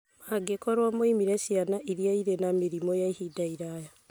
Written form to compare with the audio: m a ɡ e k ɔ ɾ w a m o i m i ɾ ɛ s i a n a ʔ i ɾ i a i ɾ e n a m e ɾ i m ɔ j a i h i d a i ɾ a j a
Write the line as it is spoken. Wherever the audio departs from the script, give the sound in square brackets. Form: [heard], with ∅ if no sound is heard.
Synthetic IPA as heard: m a ɡ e k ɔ ɾ w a m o i m i ɾ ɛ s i a n a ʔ i ɾ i a i ɾ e n a m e ɾ i m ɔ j a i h i d a i ɾ a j a